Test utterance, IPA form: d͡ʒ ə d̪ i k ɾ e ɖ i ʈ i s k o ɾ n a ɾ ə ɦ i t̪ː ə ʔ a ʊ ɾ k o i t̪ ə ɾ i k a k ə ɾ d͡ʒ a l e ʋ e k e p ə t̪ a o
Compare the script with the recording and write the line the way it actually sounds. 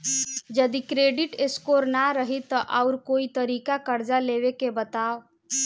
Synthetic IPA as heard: d͡ʒ ə d̪ i k ɾ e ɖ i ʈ e s k o ɾ n a ɾ ə ɦ i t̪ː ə ʔ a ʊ ɾ k o i t̪ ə ɾ i k a k ə ɾ d͡ʒ a l e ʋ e k e b ə t̪ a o